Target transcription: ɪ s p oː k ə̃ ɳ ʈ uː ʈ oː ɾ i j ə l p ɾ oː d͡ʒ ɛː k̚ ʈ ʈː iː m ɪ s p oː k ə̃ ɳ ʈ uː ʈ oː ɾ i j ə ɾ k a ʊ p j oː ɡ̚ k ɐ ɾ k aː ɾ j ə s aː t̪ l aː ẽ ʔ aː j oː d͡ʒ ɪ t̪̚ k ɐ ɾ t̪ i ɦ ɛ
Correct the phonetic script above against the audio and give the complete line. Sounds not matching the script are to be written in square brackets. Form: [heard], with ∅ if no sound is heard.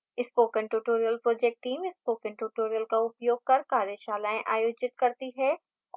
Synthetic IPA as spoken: ɪ s p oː k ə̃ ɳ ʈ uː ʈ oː ɾ i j ə l p ɾ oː d͡ʒ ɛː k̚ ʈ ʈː iː m ɪ s p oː k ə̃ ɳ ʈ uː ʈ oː ɾ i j ə [l] k a ʊ p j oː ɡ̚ k ɐ ɾ k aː ɾ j ə [ʃ] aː [∅] l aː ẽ ʔ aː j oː d͡ʒ ɪ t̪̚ k ɐ ɾ t̪ i ɦ ɛ

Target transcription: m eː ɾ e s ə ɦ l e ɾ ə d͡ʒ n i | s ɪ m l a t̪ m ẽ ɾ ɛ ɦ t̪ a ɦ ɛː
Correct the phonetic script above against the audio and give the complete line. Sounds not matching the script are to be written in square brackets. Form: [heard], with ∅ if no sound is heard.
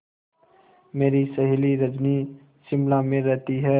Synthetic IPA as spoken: m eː ɾ [i] s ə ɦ l [i] ɾ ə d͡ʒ n i | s ɪ m l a [∅] m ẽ ɾ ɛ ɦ t̪ [i] ɦ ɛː

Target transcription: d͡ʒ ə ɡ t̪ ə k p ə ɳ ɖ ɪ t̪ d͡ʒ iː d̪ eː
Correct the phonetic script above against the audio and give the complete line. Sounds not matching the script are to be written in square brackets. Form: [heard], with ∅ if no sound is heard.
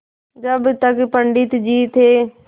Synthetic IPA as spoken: d͡ʒ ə [b] t̪ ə k p ə ɳ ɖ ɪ t̪ d͡ʒ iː [t̪] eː

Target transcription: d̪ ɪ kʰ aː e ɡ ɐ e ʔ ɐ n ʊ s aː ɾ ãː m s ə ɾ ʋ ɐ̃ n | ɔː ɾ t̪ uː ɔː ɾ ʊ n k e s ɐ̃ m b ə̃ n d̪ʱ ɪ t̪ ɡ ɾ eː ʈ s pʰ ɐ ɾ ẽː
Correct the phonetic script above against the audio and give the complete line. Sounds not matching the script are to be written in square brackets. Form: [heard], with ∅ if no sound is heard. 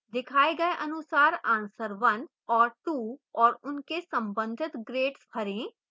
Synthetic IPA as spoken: d̪ ɪ kʰ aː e ɡ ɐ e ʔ ɐ n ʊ s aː ɾ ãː [n] s ə ɾ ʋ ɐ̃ n | ɔː ɾ t̪ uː ɔː ɾ ʊ n k e s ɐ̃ m b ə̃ n d̪ʱ ɪ t̪ ɡ ɾ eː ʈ s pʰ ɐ ɾ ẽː

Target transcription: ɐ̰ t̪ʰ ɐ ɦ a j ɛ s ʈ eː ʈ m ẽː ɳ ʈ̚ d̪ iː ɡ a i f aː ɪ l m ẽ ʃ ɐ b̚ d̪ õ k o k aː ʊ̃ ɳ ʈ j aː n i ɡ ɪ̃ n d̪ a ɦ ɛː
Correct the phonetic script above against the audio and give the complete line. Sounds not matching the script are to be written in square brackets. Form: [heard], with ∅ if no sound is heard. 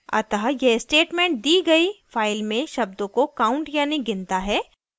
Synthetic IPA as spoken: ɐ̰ [t̪] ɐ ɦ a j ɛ s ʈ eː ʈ m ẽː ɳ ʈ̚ d̪ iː ɡ [ɐ] i f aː ɪ l m ẽ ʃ ɐ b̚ d̪ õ k o k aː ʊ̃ ɳ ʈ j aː n i ɡ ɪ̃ n [t̪] a ɦ ɛː

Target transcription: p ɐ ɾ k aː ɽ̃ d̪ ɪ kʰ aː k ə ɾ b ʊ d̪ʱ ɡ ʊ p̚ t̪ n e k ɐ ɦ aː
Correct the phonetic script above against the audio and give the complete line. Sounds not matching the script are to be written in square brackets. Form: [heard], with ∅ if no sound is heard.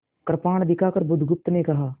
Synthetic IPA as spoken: [k] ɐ ɾ [p] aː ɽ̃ d̪ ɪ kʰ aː k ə ɾ b ʊ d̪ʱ ɡ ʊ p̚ t̪ n e k ɐ ɦ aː

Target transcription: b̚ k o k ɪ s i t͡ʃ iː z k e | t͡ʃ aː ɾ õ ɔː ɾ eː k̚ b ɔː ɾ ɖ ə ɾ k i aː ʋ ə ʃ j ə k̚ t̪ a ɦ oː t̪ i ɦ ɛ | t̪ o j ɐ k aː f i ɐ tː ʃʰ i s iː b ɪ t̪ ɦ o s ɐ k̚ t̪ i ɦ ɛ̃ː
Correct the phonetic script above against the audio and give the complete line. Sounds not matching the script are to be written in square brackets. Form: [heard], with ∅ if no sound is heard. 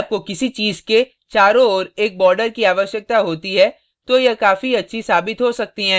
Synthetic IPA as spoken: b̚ k o k ɪ s i t͡ʃ iː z k e | t͡ʃ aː ɾ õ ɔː ɾ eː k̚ b ɔː ɾ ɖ ə ɾ k i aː ʋ ə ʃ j ə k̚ t̪ a ɦ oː t̪ i ɦ ɛ | t̪ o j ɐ k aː f i ɐ tː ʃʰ i s [aː] b ɪ t̪ ɦ o s ɐ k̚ t̪ i ɦ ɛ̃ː

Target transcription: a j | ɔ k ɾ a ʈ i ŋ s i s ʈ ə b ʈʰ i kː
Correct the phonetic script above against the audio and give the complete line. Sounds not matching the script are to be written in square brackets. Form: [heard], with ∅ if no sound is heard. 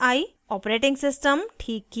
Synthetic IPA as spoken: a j | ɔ [p] ɾ [e] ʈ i ŋ s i s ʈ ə [m] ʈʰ i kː

